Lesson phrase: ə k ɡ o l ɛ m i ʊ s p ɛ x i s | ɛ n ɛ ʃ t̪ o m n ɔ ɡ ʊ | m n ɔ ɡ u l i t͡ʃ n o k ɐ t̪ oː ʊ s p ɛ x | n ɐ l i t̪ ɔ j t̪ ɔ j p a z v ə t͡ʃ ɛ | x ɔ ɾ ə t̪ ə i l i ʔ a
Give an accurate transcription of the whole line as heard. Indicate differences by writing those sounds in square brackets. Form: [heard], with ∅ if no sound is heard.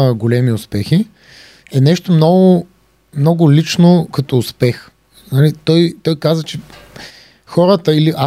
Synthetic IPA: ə [∅] ɡ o l ɛ m i ʊ s p ɛ x i [∅] | ɛ n ɛ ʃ t̪ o m n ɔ ɡ ʊ | m n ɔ ɡ [ʊ] l i t͡ʃ n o k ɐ t̪ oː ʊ s p ɛ x | n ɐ l i t̪ ɔ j t̪ ɔ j [k] a z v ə t͡ʃ ɛ | x ɔ ɾ ə t̪ ə i l i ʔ a